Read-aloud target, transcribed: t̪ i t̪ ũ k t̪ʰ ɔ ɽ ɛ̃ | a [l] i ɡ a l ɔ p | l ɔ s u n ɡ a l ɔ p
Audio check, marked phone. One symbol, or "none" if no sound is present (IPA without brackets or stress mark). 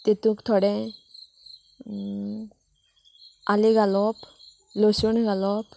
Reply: l